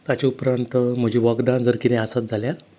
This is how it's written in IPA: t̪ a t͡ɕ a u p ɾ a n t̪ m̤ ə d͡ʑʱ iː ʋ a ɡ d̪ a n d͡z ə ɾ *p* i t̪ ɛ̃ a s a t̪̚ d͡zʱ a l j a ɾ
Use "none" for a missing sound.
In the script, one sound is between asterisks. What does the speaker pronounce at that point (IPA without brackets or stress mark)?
k